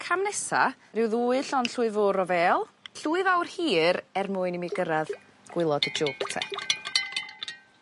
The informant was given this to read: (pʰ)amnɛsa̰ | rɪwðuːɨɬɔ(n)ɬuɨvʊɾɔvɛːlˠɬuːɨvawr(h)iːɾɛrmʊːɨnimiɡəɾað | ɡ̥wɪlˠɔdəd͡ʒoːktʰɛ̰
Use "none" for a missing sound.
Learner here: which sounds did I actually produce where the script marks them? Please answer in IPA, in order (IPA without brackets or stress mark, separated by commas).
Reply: kʰ, n, h